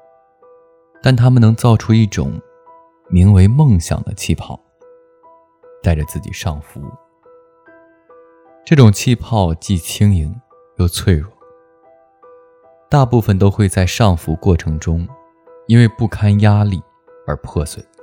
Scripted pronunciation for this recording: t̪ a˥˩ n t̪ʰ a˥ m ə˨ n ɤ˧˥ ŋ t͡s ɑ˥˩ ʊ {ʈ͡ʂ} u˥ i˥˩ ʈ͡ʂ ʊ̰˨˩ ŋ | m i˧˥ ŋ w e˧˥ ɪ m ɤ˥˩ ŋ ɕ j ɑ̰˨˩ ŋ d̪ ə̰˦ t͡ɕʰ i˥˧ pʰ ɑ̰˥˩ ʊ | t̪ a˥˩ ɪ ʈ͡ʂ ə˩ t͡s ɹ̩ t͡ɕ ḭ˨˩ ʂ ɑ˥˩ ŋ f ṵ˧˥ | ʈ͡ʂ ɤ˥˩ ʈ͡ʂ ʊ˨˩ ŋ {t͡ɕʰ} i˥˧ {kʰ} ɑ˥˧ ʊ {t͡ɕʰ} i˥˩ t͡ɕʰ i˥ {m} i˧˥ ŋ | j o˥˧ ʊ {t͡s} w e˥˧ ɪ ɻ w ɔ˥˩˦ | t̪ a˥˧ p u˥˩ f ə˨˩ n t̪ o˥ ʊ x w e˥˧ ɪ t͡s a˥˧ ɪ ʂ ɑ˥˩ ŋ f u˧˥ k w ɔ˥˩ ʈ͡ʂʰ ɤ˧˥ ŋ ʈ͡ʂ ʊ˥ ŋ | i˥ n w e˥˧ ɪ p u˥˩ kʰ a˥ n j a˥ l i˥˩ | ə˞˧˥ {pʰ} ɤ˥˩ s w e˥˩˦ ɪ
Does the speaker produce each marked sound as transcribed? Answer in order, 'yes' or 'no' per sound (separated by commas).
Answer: no, yes, no, no, no, no, yes